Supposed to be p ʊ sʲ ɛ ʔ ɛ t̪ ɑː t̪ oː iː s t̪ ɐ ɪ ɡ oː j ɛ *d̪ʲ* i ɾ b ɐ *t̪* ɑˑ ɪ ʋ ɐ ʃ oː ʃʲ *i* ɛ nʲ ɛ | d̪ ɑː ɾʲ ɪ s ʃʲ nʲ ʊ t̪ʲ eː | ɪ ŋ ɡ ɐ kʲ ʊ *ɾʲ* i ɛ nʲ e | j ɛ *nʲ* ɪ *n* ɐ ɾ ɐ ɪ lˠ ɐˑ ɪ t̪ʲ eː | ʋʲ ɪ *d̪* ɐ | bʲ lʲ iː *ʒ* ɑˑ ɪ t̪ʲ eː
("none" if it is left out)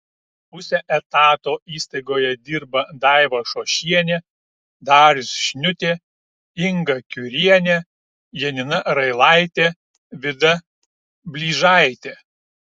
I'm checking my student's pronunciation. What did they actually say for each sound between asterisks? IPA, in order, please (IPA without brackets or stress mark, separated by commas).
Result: d̪ʲ, d̪, i, ɾʲ, nʲ, n, d̪, ʒ